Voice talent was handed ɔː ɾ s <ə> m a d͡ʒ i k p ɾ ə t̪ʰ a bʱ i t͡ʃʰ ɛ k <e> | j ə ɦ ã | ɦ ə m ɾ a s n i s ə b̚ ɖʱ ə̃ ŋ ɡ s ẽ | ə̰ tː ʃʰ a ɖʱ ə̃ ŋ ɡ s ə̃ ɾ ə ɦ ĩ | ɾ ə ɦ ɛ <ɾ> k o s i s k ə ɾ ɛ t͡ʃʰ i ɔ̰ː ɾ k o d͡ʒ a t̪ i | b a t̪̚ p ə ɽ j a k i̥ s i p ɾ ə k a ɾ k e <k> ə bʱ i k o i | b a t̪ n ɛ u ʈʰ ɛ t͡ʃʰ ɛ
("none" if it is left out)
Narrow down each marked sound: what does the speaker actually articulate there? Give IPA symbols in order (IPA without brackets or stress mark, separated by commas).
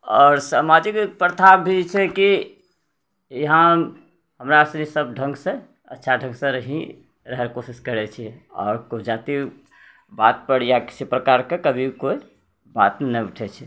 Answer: a, i, ɾ, k